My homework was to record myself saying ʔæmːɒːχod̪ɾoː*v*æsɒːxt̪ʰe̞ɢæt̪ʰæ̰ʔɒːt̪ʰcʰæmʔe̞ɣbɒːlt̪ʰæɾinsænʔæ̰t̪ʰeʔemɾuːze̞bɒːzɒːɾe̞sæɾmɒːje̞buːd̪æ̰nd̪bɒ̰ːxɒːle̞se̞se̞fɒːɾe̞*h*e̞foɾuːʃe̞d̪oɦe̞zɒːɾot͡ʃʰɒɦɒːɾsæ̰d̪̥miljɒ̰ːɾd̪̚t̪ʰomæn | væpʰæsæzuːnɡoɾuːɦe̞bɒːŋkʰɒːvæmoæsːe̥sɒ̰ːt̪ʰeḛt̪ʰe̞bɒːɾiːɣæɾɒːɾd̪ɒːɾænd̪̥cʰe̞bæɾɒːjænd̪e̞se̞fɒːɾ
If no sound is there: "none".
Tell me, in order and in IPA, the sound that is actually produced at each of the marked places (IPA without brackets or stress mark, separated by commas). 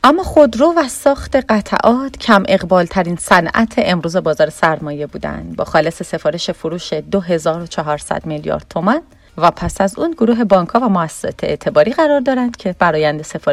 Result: v, ʃ